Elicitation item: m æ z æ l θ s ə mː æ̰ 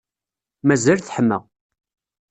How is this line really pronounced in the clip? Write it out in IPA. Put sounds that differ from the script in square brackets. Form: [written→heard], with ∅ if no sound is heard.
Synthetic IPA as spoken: m æ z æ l θ [s→ħ] ə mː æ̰